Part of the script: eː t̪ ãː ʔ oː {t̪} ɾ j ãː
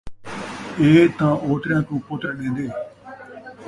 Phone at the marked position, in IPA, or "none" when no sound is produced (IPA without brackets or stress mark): t̪